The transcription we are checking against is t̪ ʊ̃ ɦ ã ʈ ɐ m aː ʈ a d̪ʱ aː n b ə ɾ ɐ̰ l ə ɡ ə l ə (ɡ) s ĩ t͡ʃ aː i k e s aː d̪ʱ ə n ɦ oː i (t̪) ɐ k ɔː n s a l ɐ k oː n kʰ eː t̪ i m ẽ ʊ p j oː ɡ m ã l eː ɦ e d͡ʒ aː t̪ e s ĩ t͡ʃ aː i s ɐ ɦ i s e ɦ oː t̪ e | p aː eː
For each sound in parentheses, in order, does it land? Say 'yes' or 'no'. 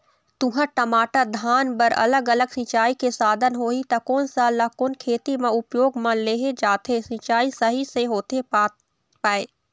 yes, yes

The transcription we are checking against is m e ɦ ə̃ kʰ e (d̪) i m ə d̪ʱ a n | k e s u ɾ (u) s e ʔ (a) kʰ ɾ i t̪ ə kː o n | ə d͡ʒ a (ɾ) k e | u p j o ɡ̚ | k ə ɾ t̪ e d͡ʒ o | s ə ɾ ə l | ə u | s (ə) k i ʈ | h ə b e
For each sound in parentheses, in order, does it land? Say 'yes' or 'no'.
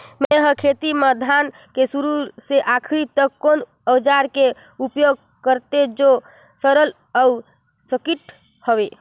no, yes, yes, yes, yes

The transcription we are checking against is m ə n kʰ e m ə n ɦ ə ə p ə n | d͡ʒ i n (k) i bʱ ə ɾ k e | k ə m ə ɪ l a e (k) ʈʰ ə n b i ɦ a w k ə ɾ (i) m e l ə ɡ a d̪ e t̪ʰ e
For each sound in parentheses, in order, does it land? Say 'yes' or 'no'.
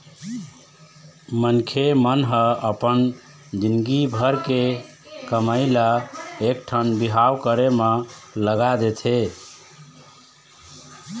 no, yes, no

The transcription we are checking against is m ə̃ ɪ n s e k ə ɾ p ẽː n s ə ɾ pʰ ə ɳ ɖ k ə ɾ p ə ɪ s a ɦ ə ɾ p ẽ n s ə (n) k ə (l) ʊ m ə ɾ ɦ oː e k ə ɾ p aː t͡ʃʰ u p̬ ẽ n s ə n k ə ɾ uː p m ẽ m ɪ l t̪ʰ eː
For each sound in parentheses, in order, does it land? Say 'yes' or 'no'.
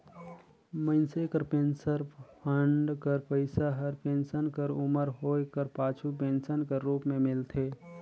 yes, no

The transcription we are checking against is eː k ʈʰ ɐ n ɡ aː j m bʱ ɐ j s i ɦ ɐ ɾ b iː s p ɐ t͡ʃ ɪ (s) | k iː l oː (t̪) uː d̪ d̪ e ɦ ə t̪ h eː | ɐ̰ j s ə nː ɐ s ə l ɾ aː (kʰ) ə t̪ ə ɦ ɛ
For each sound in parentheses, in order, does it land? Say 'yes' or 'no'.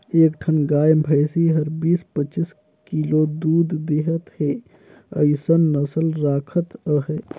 yes, no, yes

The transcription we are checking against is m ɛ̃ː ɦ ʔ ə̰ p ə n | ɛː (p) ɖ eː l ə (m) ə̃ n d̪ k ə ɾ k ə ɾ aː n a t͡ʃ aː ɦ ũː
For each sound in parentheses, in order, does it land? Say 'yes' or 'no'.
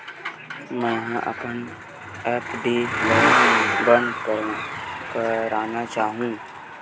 yes, no

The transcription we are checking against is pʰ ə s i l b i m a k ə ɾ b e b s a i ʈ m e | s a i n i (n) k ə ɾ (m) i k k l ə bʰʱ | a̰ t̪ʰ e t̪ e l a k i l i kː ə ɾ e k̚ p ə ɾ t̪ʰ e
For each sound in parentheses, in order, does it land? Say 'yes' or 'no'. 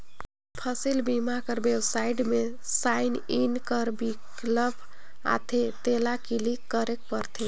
yes, no

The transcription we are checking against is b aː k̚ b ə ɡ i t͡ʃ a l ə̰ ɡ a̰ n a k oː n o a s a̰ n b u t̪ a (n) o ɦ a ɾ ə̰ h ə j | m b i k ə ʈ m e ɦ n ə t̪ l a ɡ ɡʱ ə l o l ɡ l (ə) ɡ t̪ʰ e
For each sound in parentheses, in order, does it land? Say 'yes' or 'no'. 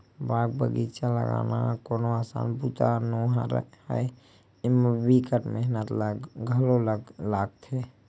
yes, no

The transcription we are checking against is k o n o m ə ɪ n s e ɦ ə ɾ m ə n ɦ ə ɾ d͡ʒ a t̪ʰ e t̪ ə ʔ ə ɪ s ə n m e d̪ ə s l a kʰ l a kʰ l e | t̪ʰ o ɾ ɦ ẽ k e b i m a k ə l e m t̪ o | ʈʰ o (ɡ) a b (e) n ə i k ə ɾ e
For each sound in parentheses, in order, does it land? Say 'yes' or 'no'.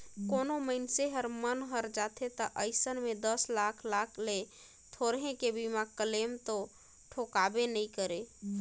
no, yes

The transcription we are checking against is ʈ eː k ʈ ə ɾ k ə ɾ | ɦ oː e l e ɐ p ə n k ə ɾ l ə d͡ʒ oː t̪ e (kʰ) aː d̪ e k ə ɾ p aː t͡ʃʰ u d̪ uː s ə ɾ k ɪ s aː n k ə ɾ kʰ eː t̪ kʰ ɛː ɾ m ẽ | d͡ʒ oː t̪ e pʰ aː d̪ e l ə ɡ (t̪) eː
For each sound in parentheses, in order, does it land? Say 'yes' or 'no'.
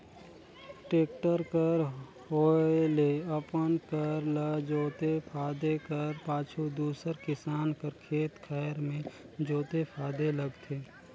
no, no

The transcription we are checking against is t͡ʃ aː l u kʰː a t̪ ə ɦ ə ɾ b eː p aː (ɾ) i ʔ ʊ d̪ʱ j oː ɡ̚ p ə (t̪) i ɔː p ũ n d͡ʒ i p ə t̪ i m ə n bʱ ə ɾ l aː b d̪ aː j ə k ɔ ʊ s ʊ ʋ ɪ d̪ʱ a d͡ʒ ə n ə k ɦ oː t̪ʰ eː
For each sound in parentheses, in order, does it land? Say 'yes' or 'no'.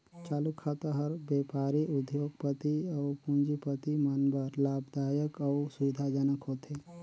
yes, yes

